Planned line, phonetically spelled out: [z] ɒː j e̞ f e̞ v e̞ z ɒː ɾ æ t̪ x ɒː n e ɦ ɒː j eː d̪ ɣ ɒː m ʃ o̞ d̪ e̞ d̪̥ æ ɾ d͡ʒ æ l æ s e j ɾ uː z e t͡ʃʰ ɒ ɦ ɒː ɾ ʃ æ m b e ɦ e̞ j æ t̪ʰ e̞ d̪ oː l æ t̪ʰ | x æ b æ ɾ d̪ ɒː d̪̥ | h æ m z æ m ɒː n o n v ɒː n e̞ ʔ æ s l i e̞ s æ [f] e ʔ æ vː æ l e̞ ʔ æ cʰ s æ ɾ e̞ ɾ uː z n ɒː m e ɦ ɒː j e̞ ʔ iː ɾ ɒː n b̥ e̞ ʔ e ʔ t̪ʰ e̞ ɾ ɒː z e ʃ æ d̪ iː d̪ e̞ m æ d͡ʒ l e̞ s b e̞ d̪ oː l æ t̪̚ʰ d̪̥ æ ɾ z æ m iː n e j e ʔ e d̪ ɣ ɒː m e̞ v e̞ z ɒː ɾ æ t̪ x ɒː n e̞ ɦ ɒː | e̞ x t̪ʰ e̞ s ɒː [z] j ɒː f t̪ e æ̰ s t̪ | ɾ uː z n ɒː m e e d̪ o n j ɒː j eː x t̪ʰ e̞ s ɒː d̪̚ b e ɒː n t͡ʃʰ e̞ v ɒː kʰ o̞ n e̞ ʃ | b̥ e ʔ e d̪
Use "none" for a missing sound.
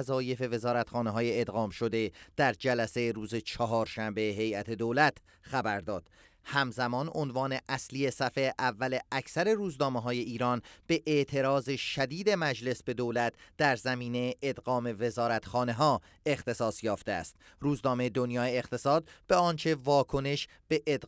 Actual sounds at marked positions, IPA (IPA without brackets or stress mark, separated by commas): z, f, s